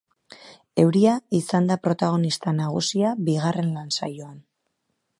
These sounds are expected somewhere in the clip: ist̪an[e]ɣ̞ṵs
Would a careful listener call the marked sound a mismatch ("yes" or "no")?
yes